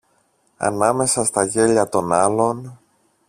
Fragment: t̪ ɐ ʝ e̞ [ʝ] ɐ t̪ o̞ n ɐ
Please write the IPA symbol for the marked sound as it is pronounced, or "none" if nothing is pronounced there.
ʎ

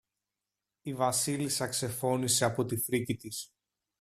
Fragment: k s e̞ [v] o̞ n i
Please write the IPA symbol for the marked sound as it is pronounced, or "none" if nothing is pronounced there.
f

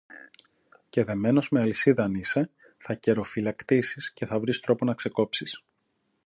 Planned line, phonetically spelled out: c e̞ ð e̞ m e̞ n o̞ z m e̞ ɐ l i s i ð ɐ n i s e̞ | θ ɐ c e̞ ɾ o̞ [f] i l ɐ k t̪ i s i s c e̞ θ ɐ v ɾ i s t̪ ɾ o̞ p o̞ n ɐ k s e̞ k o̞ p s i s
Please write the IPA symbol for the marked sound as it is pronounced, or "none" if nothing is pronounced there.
f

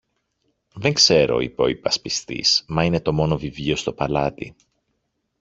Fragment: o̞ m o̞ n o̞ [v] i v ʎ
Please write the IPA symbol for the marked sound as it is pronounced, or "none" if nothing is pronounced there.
v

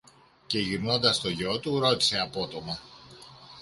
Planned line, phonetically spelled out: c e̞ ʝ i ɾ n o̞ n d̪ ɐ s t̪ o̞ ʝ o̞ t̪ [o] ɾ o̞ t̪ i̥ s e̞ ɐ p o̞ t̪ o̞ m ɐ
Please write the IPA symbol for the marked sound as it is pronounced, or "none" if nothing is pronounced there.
u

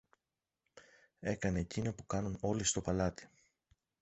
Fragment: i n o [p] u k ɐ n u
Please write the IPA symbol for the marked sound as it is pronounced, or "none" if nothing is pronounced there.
p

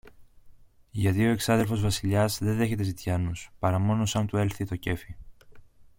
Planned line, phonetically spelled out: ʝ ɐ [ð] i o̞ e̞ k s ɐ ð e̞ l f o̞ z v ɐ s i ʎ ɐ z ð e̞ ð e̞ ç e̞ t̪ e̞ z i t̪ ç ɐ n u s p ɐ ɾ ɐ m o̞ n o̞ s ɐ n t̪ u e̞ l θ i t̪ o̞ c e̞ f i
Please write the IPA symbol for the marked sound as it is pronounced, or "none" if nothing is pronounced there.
ð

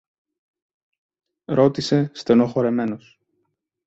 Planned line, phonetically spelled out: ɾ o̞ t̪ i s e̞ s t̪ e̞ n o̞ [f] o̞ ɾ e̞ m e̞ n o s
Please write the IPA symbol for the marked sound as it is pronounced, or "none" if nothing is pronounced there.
x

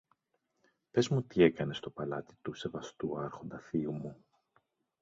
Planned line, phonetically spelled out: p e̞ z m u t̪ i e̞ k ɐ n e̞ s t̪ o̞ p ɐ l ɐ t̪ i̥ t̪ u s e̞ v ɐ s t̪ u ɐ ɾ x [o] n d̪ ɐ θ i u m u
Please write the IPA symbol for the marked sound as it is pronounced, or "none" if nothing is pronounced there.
o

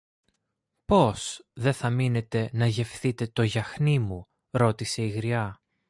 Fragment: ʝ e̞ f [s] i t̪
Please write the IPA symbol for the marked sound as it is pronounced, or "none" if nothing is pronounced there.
θ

